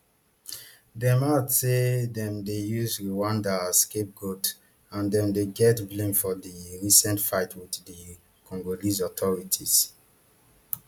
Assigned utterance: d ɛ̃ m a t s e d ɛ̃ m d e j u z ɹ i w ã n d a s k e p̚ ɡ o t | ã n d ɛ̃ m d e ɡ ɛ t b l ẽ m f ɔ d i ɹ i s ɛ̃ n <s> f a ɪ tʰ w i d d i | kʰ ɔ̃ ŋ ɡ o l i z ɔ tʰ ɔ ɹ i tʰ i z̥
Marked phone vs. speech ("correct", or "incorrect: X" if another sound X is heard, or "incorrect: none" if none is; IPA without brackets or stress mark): incorrect: t